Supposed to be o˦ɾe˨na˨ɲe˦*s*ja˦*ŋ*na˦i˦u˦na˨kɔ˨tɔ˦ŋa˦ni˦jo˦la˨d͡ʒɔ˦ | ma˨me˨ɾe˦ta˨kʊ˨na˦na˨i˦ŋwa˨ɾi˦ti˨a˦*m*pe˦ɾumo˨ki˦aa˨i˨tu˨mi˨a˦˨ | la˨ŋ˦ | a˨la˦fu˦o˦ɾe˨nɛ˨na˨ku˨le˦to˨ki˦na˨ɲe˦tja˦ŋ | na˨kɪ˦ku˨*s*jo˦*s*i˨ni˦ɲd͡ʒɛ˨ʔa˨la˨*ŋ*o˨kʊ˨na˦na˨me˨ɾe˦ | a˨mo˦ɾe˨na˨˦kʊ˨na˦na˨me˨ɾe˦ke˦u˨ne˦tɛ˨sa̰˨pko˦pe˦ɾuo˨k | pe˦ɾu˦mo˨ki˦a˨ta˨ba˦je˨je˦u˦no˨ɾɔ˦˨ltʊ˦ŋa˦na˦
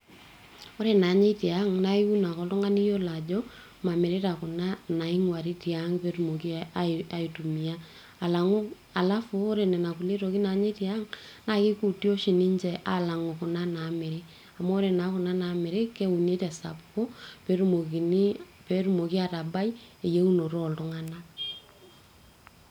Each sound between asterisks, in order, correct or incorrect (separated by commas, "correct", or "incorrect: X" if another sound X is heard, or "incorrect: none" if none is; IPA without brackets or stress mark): incorrect: t, correct, incorrect: ŋ, incorrect: t, incorrect: ʃ, correct